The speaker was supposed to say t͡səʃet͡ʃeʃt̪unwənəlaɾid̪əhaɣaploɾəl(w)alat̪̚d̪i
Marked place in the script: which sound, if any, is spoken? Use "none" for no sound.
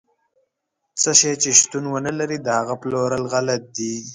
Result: ɣ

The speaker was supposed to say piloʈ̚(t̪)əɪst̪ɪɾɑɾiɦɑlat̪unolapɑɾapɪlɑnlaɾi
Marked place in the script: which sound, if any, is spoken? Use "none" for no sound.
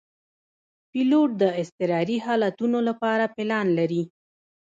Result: d̪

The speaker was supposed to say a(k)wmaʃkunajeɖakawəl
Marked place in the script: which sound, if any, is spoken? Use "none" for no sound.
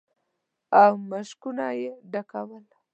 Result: none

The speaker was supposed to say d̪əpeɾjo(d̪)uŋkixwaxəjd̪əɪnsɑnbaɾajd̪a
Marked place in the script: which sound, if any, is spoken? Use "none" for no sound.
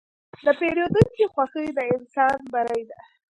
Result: d̪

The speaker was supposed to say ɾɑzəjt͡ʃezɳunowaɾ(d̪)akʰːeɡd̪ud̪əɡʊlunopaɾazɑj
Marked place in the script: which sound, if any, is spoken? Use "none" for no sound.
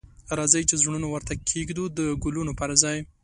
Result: t̪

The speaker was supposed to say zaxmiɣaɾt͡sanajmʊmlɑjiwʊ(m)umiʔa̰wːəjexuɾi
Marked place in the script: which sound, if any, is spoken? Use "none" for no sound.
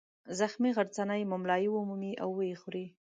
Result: m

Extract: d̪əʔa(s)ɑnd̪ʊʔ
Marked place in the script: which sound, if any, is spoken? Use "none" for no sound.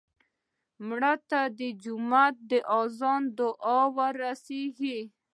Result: z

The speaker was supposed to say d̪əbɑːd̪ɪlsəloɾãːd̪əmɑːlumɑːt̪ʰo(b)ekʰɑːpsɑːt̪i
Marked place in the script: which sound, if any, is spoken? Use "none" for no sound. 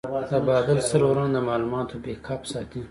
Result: b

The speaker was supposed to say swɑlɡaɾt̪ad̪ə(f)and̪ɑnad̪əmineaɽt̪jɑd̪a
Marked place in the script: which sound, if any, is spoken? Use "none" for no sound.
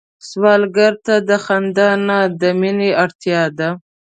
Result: x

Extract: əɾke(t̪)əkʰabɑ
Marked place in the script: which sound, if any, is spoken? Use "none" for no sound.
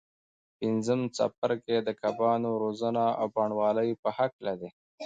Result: d̪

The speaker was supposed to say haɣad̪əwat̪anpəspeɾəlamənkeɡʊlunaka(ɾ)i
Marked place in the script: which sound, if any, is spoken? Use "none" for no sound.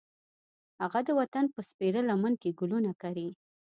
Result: ɾ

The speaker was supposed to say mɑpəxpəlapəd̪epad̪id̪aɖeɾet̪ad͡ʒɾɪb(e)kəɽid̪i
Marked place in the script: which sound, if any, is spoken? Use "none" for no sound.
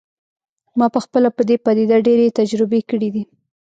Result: e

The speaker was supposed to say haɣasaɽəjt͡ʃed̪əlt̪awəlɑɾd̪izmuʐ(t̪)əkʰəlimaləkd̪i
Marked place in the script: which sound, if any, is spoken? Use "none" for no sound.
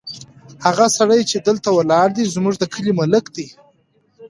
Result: d̪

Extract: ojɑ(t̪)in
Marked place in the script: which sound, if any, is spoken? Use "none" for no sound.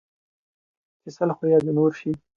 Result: d̪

